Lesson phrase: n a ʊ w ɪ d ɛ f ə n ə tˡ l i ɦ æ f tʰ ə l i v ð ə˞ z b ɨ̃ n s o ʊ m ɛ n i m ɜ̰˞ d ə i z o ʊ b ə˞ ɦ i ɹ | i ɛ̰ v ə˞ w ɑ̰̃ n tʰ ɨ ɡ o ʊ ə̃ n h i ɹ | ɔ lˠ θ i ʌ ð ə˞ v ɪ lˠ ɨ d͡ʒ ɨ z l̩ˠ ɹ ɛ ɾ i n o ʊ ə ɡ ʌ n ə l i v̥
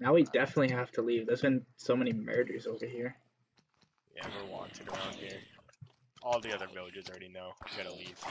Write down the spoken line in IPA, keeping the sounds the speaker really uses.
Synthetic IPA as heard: n a ʊ w i d ɛ f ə n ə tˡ l i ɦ æ f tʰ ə l i v ð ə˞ z b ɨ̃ n s o ʊ m ɛ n i m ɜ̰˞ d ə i z o ʊ v ə˞ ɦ i ɹ | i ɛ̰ v ə˞ w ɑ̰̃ n tʰ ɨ ɡ o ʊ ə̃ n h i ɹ | ɔ lˠ ð i ʌ ð ə˞ v ɪ lˠ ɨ d͡ʒ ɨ z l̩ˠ ɹ ɛ ɾ i n o ʊ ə ɡ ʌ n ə l i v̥